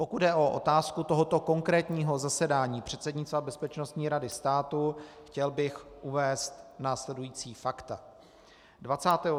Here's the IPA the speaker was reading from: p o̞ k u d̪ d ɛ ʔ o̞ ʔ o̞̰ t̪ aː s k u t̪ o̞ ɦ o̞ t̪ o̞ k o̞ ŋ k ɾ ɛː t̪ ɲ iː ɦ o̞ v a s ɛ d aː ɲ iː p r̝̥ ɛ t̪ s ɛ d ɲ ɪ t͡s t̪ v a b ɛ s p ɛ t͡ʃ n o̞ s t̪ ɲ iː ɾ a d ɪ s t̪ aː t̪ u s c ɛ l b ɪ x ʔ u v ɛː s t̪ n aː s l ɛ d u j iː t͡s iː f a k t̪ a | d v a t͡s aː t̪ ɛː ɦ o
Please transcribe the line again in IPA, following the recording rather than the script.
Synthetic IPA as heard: p o̞ k u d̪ d ɛ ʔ o̞ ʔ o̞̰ t̪ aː s k u t̪ o̞ ɦ o̞ t̪ o̞ k o̞ ŋ k ɾ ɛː t̪ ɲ iː ɦ o̞ z a s ɛ d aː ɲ iː p r̝̥ ɛ t̪ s ɛ d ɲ ɪ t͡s t̪ v a b ɛ s p ɛ t͡ʃ n o̞ s t̪ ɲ iː ɾ a d ɪ s t̪ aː t̪ u x c ɛ l b ɪ x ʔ u v ɛː s t̪ n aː s l ɛ d u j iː t͡s iː f a k t̪ a | d v a t͡s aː t̪ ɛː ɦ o